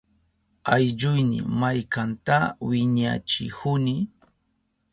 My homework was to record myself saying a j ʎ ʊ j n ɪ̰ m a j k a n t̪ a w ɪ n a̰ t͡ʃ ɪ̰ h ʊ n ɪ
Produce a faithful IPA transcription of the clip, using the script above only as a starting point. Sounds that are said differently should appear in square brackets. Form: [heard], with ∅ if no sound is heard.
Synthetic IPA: a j ʎ ʊ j n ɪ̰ m a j k a n t̪ a w ɪ [ɲ] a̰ t͡ʃ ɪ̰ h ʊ n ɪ

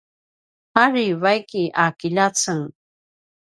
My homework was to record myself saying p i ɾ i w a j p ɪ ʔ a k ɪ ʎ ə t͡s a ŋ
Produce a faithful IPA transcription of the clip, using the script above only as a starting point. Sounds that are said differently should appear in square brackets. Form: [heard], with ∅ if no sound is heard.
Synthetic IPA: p [a] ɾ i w a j [k] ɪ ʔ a k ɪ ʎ [a] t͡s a ŋ

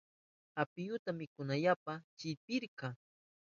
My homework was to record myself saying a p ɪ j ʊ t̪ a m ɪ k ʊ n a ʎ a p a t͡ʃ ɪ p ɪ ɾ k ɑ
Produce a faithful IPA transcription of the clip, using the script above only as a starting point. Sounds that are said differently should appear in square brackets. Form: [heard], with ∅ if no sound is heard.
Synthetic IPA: a p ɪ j ʊ t̪ a m ɪ k ʊ n a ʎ a p a t͡ʃ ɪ p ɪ ɾ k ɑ

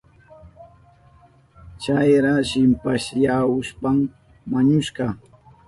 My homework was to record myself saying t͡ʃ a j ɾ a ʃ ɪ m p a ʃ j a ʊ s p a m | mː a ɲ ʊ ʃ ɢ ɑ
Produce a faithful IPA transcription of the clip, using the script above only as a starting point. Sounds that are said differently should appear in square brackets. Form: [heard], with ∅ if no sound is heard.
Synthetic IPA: t͡ʃ a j ɾ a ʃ ɪ m p a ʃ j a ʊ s p a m | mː a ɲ ʊ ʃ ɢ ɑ

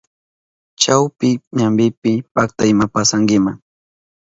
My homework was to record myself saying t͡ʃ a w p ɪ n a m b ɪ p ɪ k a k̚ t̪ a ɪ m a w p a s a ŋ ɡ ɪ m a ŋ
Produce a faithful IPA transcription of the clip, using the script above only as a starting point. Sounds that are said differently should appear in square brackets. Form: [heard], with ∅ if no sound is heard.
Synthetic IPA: t͡ʃ a w p ɪ [ɲ] a m b ɪ p ɪ [p] a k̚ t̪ a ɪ m a [∅] p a s a ŋ ɡ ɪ m a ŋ

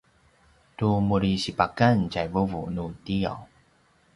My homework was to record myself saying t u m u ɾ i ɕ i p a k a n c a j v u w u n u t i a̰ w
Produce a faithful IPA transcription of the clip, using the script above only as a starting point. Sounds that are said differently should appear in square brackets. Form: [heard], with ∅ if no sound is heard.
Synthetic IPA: t u m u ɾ i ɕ i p a k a n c a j v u [v] u n u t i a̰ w

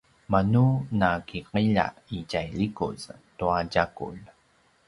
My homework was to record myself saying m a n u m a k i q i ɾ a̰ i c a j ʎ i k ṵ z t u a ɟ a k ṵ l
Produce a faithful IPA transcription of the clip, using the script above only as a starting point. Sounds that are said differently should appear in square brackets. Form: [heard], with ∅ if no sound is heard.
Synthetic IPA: m a n u [n] a k i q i [ʎ] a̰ i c a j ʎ i k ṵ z t u a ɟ a k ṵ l

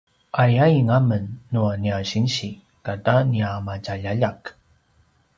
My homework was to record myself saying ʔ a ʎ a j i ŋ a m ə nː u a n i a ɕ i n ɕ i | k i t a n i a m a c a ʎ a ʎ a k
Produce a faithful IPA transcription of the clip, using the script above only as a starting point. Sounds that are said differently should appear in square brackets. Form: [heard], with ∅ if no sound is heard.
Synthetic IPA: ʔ a [j] a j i ŋ a m ə nː u a n i a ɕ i n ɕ i | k [a] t a n i a m a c a ʎ a ʎ a k

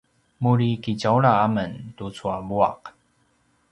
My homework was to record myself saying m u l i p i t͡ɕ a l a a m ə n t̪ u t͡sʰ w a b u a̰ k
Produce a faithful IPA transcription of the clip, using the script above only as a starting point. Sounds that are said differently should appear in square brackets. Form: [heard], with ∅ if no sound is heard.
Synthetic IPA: m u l i [k] i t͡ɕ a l a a m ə n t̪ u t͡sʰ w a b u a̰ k

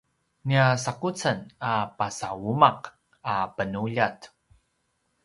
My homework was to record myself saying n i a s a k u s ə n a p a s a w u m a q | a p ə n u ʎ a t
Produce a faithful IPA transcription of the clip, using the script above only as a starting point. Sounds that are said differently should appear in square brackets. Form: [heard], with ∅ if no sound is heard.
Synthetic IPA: n i a s a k u [t͡s] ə n a p a s a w u m a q | a p ə n u ʎ a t

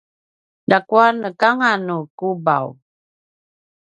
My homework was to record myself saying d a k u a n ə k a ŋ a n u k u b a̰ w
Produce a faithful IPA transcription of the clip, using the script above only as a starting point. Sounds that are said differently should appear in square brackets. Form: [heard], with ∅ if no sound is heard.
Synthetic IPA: d a k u a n ə k a ŋ a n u k u b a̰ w

